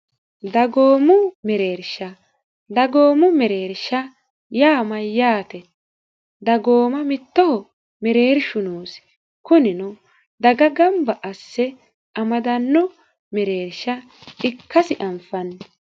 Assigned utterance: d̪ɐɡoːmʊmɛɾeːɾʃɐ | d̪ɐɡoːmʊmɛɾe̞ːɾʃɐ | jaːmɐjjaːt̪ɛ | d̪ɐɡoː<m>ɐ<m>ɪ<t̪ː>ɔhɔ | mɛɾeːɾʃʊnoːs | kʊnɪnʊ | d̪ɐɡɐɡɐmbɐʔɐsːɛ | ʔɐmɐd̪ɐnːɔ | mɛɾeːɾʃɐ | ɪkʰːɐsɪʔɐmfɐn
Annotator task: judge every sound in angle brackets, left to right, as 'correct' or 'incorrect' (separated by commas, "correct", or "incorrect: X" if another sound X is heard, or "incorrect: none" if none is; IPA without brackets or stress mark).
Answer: correct, correct, correct